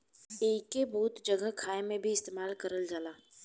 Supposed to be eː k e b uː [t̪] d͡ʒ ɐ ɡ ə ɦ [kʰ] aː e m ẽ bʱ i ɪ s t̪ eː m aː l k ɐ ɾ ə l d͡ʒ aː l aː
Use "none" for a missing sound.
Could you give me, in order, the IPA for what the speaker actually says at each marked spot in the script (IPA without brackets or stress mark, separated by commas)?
t̪, kʰ